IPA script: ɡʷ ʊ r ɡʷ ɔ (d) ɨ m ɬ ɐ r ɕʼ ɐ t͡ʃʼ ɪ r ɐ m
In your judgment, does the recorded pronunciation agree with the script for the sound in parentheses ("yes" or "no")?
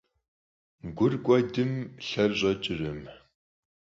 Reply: yes